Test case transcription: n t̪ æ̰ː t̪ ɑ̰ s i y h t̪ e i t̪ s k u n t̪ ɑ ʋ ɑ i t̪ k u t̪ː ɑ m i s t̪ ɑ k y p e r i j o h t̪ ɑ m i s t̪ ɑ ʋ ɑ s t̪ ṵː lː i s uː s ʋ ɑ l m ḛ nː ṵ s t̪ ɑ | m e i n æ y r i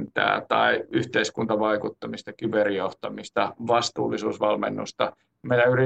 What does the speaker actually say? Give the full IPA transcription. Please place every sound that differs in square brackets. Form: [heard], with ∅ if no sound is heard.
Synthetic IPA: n t̪ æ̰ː t̪ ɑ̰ [∅] i y h t̪ e i [∅] s k u n t̪ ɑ ʋ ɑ i [∅] k u t̪ː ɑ m i s t̪ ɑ k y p e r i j o h t̪ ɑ m i s t̪ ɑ ʋ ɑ s t̪ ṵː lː i s uː s ʋ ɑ l m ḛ nː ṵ s t̪ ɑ | m e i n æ y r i